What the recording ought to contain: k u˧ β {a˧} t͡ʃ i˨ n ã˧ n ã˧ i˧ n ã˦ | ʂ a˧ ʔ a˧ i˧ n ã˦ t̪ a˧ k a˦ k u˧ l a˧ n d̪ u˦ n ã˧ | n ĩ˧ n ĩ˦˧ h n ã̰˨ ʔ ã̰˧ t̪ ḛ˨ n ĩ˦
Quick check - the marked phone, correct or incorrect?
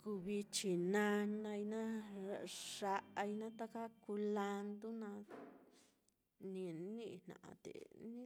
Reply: incorrect